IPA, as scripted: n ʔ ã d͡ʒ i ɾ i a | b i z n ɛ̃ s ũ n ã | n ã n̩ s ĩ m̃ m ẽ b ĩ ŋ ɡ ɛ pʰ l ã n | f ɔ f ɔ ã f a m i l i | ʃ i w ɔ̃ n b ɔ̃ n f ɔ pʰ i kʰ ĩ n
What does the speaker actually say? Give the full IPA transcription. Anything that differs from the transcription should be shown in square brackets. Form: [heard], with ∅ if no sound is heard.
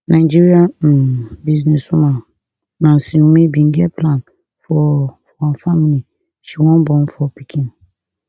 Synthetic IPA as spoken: n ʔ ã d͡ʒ i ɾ i a | b i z n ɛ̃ s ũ [m] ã | n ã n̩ s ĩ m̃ m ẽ b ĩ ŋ ɡ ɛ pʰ l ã n | f ɔ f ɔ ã f a m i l i | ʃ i w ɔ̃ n b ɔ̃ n f ɔ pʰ i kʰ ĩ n